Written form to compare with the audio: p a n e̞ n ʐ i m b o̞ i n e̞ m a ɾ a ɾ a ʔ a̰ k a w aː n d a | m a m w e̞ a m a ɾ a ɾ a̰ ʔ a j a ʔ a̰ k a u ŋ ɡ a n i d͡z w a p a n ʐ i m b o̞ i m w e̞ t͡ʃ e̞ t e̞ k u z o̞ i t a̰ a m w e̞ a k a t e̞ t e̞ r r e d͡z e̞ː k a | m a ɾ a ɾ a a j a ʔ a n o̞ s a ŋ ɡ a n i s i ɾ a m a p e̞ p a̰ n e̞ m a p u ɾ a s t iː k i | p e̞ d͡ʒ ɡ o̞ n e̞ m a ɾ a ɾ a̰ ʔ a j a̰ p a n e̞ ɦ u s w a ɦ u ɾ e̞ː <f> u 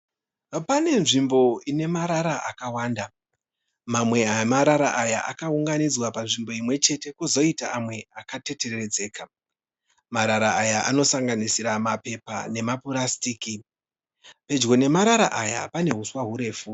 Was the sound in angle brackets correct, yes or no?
yes